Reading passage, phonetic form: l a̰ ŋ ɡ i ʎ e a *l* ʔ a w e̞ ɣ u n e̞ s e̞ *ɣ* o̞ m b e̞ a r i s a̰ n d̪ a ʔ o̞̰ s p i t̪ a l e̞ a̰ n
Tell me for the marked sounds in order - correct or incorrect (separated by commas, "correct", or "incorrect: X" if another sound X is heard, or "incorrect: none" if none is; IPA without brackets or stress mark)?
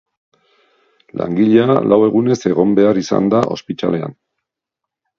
correct, correct